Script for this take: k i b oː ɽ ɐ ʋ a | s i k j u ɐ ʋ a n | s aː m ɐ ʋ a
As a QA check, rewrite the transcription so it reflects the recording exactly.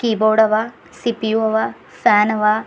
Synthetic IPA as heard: k i b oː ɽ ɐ ʋ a | s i p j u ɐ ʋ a | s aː n ɐ ʋ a